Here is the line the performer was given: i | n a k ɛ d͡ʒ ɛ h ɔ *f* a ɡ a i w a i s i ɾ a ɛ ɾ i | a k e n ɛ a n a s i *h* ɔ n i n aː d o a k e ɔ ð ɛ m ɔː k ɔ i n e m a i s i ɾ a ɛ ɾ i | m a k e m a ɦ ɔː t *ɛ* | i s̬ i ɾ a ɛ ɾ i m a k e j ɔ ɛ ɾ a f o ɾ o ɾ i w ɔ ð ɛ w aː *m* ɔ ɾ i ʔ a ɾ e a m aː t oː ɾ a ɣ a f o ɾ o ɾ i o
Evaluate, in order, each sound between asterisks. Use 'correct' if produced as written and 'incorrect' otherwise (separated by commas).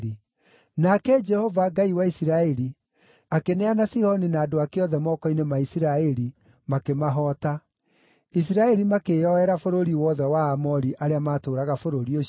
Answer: incorrect, correct, incorrect, correct